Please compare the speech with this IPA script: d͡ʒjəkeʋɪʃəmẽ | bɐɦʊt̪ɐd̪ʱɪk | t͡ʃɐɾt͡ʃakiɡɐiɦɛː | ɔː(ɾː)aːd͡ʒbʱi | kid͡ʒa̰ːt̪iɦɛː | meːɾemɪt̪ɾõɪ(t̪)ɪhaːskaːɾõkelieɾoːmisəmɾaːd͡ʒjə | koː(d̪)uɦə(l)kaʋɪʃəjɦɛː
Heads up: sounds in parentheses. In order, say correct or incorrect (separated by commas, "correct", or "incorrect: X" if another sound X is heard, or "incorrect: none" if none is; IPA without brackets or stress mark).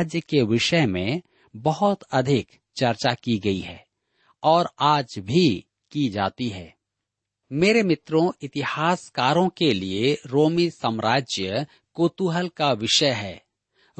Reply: incorrect: ɾ, correct, incorrect: t̪, correct